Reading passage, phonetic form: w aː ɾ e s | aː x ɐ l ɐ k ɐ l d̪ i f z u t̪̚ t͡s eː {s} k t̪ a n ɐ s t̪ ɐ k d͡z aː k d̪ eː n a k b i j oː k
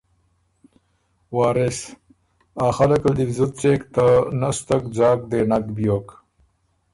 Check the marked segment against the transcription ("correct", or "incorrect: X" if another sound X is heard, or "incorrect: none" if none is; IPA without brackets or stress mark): incorrect: none